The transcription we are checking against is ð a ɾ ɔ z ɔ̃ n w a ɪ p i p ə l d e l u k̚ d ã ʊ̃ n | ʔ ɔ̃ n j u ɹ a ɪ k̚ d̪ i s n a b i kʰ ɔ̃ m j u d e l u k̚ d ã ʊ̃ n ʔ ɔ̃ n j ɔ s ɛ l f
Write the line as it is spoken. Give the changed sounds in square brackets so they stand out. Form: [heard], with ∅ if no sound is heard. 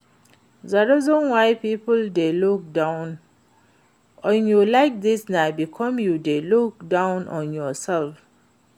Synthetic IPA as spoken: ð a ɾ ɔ z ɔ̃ n w a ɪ p i p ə l d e l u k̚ d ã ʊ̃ n | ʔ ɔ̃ n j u [l] a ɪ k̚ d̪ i s n a b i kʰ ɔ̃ m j u d e l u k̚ d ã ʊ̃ n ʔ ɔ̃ n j ɔ s ɛ l f